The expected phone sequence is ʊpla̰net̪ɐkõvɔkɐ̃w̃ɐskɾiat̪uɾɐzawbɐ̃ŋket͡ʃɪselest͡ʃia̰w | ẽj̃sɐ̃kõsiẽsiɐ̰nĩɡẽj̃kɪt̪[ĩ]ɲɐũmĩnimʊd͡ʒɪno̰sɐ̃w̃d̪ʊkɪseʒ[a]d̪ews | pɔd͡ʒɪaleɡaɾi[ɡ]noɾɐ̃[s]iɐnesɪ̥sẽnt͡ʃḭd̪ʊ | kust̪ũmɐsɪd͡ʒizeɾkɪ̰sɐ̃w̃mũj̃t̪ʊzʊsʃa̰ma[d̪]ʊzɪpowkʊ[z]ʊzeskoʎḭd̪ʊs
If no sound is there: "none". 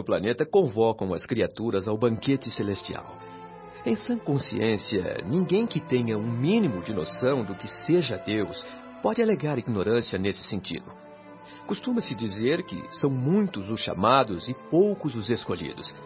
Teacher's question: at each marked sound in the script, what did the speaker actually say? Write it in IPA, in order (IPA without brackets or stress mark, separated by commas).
ẽ, ɐ, ɡ, s, d̪, z